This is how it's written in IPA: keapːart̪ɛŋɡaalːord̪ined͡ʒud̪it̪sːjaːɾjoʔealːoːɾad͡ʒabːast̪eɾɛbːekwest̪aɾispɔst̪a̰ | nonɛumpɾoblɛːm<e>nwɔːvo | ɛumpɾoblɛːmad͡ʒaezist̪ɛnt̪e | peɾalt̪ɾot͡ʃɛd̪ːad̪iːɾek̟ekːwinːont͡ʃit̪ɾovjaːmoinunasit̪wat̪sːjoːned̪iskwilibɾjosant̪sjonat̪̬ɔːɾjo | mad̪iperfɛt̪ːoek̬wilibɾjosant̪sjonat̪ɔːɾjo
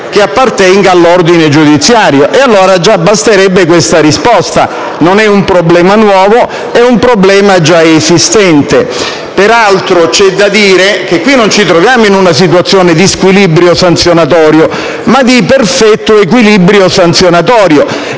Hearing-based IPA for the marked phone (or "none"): a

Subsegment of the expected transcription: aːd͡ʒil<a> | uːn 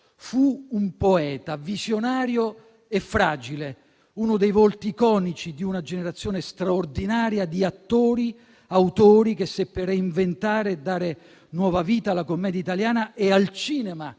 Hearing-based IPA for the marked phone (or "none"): e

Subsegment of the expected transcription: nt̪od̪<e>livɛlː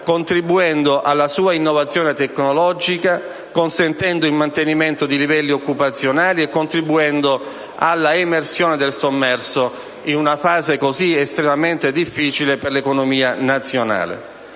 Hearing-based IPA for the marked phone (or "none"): i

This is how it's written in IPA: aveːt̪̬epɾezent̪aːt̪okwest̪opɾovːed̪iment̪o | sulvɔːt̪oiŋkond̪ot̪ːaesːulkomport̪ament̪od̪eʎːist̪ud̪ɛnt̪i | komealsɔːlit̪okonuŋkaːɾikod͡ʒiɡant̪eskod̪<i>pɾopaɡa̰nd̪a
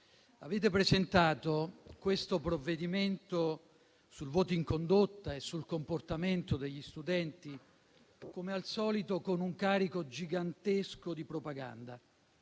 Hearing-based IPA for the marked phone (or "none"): i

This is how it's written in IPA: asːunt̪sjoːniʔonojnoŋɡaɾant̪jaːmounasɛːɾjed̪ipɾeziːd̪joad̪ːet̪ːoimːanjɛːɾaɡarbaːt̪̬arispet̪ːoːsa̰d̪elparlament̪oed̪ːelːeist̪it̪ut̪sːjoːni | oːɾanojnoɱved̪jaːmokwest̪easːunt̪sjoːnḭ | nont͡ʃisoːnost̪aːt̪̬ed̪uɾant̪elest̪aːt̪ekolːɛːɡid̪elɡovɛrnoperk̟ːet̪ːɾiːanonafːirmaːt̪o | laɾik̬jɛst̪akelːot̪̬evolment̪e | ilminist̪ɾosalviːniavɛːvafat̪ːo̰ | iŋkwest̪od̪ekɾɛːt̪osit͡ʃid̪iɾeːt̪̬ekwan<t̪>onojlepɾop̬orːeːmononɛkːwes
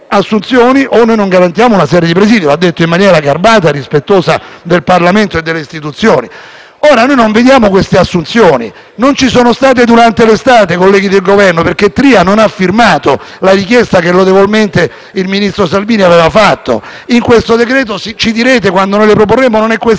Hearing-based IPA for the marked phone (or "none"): d̪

